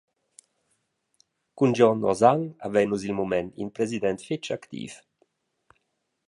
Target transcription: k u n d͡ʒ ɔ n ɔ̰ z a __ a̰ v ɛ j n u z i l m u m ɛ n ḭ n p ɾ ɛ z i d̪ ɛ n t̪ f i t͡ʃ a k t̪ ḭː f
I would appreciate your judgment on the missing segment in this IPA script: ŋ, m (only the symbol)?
ŋ